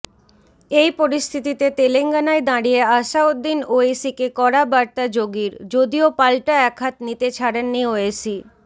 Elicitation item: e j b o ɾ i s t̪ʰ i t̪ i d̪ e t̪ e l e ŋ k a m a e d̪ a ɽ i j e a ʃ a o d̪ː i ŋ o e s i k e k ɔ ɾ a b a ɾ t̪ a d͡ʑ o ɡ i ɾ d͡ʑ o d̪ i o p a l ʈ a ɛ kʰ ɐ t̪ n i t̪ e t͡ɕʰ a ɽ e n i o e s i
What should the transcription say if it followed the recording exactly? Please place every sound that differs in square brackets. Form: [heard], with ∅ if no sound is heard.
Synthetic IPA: e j [p] o ɾ i s t̪ʰ i t̪ i [t̪] e t̪ e l e ŋ [ɡ] a [n] a e d̪ a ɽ i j e a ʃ a o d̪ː i [n] o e s i k e k ɔ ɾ a b a ɾ t̪ a d͡ʑ o ɡ i ɾ d͡ʑ o d̪ i o p a l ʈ a ɛ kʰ [a] t̪ n i t̪ e t͡ɕʰ a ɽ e [nː] i o e s i